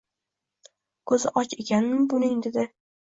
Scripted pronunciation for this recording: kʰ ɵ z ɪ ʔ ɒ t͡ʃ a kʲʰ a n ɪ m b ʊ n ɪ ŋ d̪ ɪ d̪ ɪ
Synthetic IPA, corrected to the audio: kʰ ɵ z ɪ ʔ ɒ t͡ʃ e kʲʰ a n ɪ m b ʊ n ɪ ŋ d̪ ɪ d̪ ɪ